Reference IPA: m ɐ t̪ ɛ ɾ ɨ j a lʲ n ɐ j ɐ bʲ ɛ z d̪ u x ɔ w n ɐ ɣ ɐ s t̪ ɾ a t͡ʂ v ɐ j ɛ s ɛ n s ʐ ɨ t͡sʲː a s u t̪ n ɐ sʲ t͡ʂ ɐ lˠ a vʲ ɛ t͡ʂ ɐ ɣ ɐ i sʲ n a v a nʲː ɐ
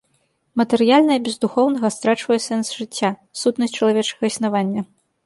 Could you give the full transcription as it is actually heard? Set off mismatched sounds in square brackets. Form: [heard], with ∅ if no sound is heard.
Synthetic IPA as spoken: m ɐ t̪ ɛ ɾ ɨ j a lʲ n ɐ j ɐ bʲ ɛ z d̪ u x ɔ w n ɐ ɣ ɐ s t̪ ɾ a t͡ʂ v ɐ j ɛ s ɛ n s ʐ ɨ t͡sʲː a s u t̪ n ɐ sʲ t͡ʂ ɐ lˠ a vʲ ɛ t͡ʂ ɐ ɣ ɐ i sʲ n a v a nʲː ɐ